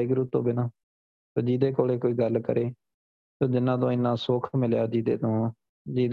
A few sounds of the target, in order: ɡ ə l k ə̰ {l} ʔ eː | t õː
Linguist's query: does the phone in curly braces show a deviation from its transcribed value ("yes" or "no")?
yes